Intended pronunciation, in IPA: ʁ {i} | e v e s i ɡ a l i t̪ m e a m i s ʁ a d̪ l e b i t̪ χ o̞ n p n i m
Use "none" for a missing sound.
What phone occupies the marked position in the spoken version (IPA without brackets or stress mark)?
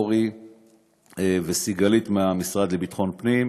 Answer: i